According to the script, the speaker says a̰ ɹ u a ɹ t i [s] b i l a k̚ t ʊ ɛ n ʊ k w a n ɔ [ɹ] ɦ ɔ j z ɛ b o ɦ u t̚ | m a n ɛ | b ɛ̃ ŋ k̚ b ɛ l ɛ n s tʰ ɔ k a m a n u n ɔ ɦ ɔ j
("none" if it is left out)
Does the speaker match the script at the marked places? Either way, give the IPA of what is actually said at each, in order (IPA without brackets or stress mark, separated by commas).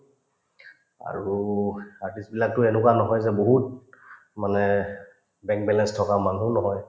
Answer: s, none